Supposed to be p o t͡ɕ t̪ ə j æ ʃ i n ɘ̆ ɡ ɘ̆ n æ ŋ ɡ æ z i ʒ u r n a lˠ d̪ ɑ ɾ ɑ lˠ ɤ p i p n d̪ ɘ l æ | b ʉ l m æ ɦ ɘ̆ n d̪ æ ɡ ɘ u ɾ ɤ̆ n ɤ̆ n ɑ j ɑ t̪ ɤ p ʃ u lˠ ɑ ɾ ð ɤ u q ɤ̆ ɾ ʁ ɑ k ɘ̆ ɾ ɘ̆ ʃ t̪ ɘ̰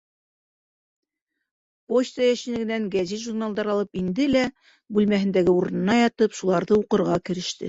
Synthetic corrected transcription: p o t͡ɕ t̪ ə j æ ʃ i n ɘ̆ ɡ ɘ̆ n æ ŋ ɡ æ z i ʒ u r n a lˠ d̪ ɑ ɾ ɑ lˠ ɤ p i n d̪ ɘ l æ | b ʉ l m æ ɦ ɘ̆ n d̪ æ ɡ ɘ u ɾ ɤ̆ n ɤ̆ n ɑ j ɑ t̪ ɤ p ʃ u lˠ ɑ ɾ ð ɤ u q ɤ̆ ɾ ʁ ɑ k ɘ̆ ɾ ɘ̆ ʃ t̪ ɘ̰

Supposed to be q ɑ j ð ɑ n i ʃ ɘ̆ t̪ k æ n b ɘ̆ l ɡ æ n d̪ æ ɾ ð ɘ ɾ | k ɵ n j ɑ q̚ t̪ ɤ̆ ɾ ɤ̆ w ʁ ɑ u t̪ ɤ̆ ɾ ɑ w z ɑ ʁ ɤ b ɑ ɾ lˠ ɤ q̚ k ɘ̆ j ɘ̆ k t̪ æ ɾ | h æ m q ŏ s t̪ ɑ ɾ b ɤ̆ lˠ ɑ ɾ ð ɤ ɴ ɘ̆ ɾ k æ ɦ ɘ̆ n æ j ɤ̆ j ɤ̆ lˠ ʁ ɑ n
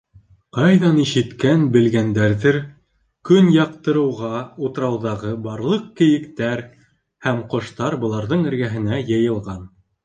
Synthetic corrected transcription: q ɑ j ð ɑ n i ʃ ɘ̆ t̪ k æ n b ɘ̆ l ɡ æ n d̪ æ ɾ ð ɘ ɾ | k ɵ n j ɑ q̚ t̪ ɤ̆ ɾ ɤ̆ w ʁ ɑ u t̪ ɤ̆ ɾ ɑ w ð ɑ ʁ ɤ b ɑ ɾ lˠ ɤ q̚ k ɘ̆ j ɘ̆ k t̪ æ ɾ | h æ m q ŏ ʃ t̪ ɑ ɾ b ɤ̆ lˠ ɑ ɾ ð ɤ ɴ ɘ̆ ɾ ɡ æ ɦ ɘ̆ n æ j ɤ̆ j ɤ̆ lˠ ʁ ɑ n

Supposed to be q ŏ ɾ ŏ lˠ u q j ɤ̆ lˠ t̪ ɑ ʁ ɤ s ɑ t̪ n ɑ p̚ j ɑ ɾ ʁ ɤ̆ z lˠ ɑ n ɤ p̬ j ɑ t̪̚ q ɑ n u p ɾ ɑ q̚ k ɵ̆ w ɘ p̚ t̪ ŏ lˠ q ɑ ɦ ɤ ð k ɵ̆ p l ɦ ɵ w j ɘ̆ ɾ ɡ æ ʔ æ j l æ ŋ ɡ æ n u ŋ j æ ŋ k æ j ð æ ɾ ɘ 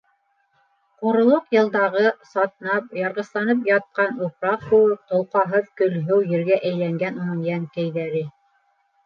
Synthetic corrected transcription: q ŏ ɾ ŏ lˠ o q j ɤ̆ lˠ d̪ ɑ ʁ ɤ s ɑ t̪ n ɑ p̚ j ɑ ɾ ʁ ɤ̆ s lˠ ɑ n ɤ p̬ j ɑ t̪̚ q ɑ n u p ɾ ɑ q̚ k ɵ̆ w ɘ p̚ t̪ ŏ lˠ q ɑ ɦ ɤ ð k ɵ̆ l ɦ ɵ w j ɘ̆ ɾ ɡ æ ʔ æ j l æ ŋ ɡ æ n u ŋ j æ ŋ k æ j ð æ ɾ ɘ

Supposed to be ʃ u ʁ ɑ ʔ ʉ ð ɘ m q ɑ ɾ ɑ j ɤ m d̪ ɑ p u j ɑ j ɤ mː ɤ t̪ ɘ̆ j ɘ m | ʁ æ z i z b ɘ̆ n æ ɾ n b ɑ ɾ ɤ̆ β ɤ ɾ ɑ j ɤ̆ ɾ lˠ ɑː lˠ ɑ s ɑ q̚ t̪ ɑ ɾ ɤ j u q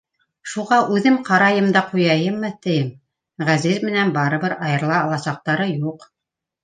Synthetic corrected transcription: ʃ u ʁ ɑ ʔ ʉ ð ɘ m q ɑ ɾ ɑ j ɤ m d̪ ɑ q u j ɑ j ɤ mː ɤ t̪ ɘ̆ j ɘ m | ʁ æ z i z m ɘ̆ n æ n b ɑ ɾ ɤ̆ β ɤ ɾ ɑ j ɤ̆ ɾ lˠ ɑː lˠ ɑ s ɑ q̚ t̪ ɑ ɾ ɤ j u q

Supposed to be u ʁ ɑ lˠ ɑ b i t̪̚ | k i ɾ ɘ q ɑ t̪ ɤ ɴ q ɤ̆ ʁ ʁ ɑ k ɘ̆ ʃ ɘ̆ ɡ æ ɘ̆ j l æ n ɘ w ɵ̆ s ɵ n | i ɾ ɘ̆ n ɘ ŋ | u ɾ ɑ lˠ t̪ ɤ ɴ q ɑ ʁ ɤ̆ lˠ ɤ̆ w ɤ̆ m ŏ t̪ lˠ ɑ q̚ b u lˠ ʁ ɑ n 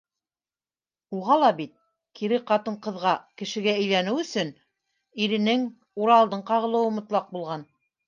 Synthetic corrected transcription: u ʁ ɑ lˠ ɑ b i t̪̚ | k i ɾ ɘ q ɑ t̪ ɤ ɴ q ɤ̆ ð ʁ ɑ k ɘ̆ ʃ ɘ̆ ɡ æ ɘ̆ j l æ n ɘ w ɵ̆ s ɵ n | i ɾ ɘ̆ n ɘ ŋ | u ɾ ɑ lˠ d̪ ɤ ɴ q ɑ ʁ ɤ̆ lˠ ɤ̆ w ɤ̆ m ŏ t̪ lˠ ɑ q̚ b u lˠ ʁ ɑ n

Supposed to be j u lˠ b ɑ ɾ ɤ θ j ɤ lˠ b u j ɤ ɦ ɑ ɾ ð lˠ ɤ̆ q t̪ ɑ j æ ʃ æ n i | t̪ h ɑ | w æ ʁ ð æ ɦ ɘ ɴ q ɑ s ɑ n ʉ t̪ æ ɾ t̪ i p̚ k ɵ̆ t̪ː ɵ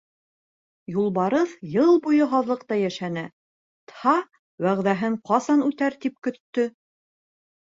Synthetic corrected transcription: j u lˠ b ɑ ɾ ɤ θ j ɤ lˠ b u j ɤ ɦ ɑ ð lˠ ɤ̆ q t̪ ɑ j æ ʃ æ n æ | t̪ h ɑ | w æ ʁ ð æ ɦ ɘ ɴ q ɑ s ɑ n ʉ t̪ æ ɾ t̪ i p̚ k ɵ̆ t̪ː ɵ

